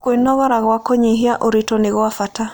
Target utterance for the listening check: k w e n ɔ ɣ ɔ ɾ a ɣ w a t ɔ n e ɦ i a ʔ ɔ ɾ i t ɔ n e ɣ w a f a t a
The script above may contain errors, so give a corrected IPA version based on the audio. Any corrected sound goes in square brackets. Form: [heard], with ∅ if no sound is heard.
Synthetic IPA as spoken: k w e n ɔ ɣ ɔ ɾ a ɣ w a [k] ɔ [ɲ] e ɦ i a ʔ [o] ɾ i t ɔ n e ɣ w a f a t a